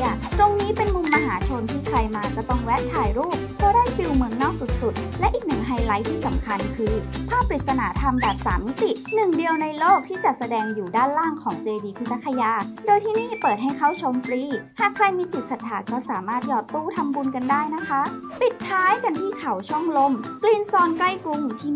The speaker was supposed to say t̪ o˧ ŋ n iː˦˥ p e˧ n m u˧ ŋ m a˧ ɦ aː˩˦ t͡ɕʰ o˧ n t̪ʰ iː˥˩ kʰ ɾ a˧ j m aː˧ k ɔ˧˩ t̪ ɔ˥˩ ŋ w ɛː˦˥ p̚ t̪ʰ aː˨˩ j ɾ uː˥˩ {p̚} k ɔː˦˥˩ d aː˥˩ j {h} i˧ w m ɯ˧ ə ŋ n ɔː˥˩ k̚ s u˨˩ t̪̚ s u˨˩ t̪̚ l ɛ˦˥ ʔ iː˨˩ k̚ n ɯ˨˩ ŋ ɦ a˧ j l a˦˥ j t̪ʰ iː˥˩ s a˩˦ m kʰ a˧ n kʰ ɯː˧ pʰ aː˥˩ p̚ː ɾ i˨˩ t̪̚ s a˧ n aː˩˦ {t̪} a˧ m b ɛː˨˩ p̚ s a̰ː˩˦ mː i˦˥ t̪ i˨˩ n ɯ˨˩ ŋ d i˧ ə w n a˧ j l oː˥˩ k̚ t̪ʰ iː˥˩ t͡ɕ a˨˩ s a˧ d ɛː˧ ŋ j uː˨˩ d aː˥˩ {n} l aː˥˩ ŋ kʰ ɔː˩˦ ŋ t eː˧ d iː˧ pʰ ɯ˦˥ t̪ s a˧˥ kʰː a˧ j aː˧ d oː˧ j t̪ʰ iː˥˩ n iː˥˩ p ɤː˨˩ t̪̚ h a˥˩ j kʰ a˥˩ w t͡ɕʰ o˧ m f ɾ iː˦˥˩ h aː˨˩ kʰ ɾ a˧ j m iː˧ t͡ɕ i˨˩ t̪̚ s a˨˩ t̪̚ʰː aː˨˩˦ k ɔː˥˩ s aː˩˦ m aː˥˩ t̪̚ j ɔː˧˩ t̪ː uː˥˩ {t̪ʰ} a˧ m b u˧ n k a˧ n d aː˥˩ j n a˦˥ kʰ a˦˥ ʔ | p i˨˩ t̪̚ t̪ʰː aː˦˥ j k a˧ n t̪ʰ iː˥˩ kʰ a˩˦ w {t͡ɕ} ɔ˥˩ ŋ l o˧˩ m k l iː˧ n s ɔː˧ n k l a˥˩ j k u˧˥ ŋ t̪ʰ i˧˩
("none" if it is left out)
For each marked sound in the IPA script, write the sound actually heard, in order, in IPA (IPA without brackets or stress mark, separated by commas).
p̚, f, t̪ʰ, n, t̪ʰ, t͡ɕʰ